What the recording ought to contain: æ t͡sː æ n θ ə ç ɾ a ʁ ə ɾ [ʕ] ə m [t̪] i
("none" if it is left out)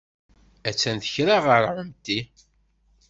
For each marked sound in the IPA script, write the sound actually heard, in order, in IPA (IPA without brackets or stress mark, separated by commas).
ʕ, t̪